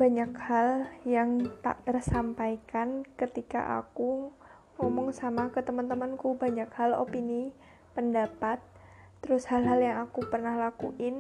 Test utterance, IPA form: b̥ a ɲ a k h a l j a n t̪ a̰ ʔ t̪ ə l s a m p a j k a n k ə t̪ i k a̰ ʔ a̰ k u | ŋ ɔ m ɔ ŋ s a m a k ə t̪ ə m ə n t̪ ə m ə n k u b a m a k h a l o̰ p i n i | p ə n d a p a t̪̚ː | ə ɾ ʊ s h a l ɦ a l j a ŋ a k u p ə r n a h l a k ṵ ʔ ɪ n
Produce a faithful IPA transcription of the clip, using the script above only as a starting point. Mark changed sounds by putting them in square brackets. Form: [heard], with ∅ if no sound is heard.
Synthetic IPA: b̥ a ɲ a k h a l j a [ŋ] t̪ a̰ ʔ t̪ ə [r] s a m p a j k a n k ə t̪ i k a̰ ʔ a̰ k u | ŋ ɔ m ɔ ŋ s a m a k ə t̪ ə m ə n t̪ ə m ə n k u b a [ɲ] a k h a l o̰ p i n i | p ə n d a p a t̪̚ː | ə ɾ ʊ s h a l ɦ a l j a ŋ a k u p ə r n a h l a k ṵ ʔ ɪ n